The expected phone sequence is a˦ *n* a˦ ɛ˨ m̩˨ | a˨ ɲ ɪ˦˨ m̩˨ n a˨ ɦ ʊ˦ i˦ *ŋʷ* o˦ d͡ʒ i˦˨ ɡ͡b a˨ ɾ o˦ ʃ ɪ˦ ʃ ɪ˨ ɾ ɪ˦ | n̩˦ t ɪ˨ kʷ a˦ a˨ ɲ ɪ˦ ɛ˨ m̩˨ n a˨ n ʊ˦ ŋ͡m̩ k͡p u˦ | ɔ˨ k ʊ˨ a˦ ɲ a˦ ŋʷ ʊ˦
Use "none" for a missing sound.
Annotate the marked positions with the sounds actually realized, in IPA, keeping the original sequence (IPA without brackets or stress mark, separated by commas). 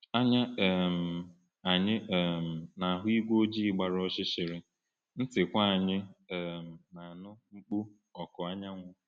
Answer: ɲ, ɡʷ